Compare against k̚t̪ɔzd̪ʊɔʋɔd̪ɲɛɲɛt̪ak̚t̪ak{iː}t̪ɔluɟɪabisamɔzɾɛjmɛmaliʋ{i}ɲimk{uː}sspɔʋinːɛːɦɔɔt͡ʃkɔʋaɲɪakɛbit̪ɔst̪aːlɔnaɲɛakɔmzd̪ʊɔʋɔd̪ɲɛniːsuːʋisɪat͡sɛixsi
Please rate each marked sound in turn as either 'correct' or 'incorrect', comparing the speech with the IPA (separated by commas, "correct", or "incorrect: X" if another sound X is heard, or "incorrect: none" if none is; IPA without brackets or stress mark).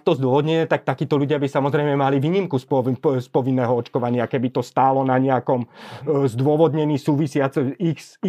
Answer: correct, incorrect: iː, incorrect: u